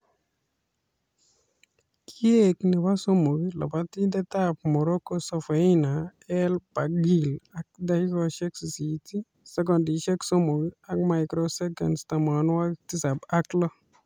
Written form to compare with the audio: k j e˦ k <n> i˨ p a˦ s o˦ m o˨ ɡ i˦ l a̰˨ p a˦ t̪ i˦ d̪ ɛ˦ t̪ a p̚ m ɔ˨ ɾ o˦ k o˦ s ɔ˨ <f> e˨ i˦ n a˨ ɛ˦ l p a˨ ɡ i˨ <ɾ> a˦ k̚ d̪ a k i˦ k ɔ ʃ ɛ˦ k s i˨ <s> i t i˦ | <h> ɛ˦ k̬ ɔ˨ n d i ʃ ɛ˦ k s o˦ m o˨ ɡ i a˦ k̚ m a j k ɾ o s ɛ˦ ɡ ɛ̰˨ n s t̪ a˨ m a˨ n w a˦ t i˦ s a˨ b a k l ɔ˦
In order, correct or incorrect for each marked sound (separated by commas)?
correct, correct, incorrect, correct, incorrect